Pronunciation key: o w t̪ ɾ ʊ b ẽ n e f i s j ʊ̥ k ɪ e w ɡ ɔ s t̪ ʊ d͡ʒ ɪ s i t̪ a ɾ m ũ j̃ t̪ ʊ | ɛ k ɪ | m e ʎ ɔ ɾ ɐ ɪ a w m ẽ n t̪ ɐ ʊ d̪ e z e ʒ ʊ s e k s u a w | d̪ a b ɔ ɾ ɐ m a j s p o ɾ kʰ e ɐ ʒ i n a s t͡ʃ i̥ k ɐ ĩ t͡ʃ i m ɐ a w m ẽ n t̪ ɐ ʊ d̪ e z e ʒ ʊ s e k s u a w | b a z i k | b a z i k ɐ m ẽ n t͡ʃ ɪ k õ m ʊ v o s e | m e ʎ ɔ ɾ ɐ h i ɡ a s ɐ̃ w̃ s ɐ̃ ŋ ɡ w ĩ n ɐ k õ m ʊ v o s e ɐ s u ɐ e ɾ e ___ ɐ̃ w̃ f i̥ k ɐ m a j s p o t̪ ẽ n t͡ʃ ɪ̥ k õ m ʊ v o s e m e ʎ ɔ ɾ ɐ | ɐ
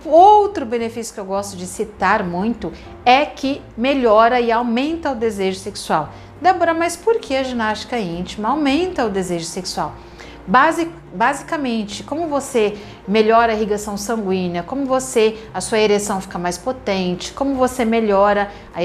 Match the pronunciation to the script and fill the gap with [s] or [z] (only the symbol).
s